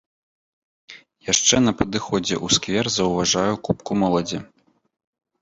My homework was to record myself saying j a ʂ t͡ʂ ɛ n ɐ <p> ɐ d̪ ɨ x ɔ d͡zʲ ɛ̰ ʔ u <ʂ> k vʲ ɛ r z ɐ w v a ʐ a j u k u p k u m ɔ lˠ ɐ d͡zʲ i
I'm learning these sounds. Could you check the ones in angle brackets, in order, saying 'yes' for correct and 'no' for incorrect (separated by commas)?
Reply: yes, no